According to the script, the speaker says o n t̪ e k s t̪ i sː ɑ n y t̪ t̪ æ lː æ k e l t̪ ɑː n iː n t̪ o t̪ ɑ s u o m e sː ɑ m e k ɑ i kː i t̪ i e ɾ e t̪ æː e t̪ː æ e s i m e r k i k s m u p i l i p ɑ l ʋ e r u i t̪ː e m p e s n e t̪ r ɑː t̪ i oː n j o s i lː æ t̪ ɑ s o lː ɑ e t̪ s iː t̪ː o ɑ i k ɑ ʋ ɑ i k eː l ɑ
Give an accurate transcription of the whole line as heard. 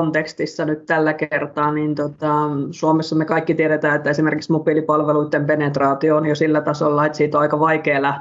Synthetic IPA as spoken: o n t̪ e k s t̪ i sː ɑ n y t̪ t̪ æ lː æ k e r t̪ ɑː n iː n t̪ o t̪ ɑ s u o m e sː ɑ m e k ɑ i kː i t̪ i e ɾ e t̪ æː e t̪ː æ e s i m e r k i k s m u p i l i p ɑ l ʋ e l u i t̪ː e m p e n e t̪ r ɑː t̪ i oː n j o s i lː æ t̪ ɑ s o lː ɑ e t̪ s iː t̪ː o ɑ i k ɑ ʋ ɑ i k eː l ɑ